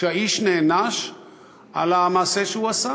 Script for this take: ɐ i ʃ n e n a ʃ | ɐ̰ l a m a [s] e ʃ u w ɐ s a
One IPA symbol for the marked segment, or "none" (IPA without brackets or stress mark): s